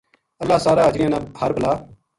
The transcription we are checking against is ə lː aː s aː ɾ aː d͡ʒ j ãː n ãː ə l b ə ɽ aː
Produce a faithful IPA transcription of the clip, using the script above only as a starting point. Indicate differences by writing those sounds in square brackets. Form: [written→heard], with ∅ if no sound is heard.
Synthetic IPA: ə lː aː s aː ɾ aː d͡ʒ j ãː n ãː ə [l→ɾ] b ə [ɽ→l] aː